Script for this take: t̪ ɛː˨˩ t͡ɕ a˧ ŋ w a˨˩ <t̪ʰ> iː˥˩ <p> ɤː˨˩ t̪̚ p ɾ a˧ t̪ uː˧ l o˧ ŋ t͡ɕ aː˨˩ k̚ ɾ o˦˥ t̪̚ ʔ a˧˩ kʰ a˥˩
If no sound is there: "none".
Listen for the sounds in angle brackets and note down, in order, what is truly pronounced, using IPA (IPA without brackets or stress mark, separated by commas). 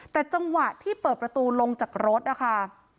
t̪ʰ, p